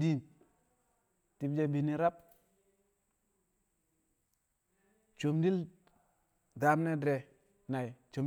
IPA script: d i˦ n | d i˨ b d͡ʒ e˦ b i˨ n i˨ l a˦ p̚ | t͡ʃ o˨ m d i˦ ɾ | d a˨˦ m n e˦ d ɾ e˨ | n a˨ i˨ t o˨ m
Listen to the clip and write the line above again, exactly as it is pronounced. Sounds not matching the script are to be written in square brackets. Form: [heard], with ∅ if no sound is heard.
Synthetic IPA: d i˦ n | [t] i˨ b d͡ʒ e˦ b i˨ n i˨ [ɾ] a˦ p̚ | t͡ʃ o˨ m d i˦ [l] | d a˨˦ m n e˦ d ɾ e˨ | n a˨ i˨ [t͡ʃ] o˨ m